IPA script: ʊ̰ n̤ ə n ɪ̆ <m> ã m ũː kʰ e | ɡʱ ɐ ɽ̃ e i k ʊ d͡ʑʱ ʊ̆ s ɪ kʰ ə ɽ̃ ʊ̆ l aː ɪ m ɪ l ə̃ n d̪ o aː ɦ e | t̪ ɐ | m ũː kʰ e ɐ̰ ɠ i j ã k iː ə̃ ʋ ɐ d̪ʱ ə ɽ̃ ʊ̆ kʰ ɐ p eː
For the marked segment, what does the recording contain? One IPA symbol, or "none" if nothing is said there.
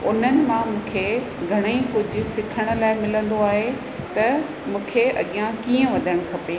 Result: m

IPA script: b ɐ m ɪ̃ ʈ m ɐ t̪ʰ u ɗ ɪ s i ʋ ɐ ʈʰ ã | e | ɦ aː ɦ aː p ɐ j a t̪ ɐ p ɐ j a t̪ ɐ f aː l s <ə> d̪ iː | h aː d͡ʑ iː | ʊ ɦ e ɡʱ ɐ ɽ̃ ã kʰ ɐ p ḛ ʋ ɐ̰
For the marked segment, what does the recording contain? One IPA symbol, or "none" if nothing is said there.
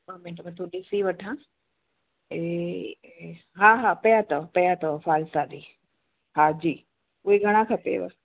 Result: a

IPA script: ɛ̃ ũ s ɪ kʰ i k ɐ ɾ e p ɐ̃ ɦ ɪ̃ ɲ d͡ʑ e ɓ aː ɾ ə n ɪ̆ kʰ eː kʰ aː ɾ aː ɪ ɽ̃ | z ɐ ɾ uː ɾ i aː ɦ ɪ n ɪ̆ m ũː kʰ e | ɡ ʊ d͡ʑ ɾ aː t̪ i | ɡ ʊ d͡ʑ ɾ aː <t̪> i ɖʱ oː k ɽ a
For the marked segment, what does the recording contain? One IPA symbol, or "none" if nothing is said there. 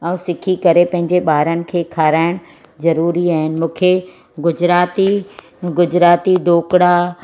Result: t̪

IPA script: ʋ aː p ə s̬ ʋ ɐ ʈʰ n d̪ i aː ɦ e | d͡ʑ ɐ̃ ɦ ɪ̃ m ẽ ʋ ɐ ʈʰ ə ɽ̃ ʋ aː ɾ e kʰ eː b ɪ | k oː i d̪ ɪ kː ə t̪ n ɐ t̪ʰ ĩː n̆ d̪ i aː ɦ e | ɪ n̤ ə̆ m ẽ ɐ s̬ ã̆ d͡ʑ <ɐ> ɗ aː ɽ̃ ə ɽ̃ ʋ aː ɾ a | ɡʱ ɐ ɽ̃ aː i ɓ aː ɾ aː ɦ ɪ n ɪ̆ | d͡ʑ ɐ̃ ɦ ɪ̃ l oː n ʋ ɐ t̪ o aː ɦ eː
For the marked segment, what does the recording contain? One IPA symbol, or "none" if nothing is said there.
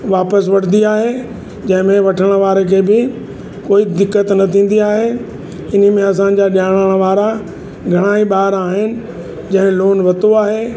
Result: a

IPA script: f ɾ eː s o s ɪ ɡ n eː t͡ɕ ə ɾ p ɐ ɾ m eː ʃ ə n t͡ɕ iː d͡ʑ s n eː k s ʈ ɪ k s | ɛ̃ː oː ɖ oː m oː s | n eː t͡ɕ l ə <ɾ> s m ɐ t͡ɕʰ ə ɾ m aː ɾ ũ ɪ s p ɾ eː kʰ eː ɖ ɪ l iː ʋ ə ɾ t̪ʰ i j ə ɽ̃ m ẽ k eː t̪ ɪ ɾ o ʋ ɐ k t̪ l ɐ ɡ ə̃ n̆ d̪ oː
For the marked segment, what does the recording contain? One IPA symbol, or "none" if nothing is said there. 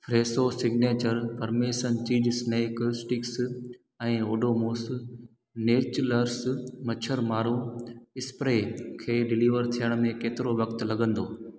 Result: ɾ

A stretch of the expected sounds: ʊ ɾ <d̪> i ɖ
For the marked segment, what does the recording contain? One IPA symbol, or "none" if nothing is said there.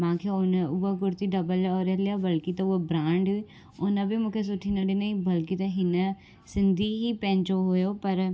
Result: t̪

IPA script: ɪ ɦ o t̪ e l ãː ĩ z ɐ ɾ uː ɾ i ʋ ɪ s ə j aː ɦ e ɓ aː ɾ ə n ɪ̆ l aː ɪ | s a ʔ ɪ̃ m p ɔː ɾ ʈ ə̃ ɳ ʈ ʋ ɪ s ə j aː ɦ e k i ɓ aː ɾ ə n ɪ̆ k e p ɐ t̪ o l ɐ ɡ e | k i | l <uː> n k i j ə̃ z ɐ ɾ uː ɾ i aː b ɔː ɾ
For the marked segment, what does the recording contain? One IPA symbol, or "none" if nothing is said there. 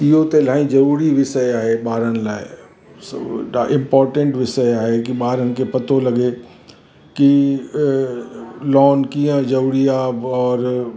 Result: ɔː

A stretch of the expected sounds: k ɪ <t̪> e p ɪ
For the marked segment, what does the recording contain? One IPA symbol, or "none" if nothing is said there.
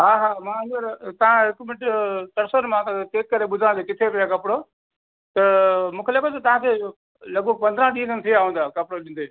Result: t̪ʰ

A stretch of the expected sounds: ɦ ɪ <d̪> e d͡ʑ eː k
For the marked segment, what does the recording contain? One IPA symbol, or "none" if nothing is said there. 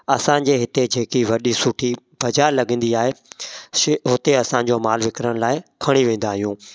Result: t̪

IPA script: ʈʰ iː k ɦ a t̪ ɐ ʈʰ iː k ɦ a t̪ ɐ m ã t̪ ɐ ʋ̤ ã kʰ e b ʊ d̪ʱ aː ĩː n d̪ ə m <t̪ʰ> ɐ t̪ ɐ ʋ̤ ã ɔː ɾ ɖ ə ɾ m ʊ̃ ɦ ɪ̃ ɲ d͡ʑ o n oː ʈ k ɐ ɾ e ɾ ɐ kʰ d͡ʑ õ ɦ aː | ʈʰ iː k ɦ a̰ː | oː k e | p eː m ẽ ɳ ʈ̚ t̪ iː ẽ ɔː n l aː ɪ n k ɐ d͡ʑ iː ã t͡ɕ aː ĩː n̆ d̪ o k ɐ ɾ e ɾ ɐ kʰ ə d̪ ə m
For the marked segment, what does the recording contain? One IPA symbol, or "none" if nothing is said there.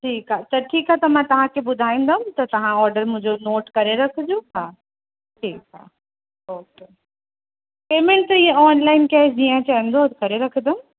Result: t̪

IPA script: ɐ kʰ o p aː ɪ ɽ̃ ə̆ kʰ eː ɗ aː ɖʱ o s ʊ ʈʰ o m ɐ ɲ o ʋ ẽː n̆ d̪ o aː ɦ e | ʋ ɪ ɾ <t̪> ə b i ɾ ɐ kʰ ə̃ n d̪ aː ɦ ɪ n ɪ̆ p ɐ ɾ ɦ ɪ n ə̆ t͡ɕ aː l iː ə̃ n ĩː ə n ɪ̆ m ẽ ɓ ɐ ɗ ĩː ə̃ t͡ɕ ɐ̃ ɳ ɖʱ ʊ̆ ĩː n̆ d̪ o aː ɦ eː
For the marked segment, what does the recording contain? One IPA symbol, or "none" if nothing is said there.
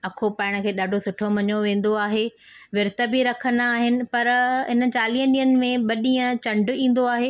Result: t̪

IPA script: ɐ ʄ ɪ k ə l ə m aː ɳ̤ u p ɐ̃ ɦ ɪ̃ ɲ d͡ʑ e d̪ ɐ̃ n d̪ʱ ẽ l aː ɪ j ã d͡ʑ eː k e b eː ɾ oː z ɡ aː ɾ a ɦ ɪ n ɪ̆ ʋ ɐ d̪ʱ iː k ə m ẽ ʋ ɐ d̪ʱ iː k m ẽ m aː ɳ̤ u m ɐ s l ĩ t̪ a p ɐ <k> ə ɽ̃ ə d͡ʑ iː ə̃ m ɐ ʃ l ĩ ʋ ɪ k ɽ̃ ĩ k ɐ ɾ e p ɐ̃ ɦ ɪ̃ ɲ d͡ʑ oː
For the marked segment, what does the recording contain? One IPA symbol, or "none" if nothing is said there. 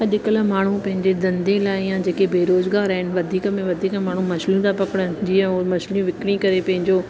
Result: k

